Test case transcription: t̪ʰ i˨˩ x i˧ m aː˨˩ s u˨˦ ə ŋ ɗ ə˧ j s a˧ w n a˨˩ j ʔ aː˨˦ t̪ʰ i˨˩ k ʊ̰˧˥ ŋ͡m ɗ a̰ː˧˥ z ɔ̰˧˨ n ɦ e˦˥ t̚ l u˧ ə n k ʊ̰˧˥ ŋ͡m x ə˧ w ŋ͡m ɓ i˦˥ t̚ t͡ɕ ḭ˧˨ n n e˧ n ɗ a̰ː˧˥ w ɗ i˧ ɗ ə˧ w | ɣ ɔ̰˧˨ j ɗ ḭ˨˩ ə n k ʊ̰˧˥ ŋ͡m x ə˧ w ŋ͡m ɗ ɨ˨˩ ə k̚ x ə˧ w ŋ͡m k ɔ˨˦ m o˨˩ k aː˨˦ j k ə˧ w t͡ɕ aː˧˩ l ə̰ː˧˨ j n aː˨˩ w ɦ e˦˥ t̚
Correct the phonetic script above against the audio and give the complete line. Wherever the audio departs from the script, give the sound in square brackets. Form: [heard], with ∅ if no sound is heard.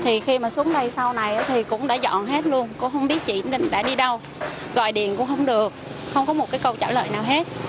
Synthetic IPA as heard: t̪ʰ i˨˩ x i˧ m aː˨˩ s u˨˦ ə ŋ ɗ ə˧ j s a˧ w n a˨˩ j ʔ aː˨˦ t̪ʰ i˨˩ k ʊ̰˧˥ ŋ͡m ɗ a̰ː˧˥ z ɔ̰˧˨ n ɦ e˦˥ t̚ l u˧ ə n k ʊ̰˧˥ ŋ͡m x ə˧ w ŋ͡m ɓ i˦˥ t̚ t͡ɕ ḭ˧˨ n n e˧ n ɗ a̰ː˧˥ [∅] ɗ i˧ ɗ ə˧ w | ɣ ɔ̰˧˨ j ɗ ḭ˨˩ ə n k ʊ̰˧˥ ŋ͡m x ə˧ w ŋ͡m ɗ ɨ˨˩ ə k̚ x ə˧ w ŋ͡m k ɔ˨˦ m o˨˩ k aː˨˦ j k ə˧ w t͡ɕ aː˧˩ l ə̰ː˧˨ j n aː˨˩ w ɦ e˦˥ t̚

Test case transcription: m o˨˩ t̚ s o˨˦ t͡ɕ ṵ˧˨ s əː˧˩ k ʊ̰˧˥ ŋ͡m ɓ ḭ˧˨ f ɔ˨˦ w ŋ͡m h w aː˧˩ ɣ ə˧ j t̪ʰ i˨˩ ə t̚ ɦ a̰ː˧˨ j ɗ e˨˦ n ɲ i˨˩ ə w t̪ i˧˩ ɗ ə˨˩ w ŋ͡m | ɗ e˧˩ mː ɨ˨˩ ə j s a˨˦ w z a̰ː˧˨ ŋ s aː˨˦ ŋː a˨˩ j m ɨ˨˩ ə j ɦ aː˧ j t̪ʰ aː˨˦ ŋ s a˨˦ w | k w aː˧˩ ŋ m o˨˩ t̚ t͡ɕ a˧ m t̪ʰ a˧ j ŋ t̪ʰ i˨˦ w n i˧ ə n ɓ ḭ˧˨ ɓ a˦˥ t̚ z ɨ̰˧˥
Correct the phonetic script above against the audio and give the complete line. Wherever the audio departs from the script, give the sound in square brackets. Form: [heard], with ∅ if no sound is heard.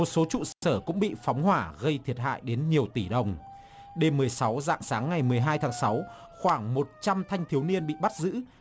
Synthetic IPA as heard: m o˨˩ t̚ s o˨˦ t͡ɕ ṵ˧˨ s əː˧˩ k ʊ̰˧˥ ŋ͡m ɓ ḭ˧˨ f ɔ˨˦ w ŋ͡m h w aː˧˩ ɣ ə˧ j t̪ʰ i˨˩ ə t̚ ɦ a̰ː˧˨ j ɗ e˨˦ n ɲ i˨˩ ə w t̪ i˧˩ ɗ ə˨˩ w ŋ͡m | ɗ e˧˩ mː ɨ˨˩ ə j s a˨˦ w z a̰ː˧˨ ŋ s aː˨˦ ŋː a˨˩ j m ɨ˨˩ ə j ɦ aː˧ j t̪ʰ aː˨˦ ŋ s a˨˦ w | [x] w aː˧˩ ŋ m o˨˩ t̚ t͡ɕ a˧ m t̪ʰ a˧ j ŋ t̪ʰ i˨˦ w n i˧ ə n ɓ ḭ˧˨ ɓ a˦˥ t̚ z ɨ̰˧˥

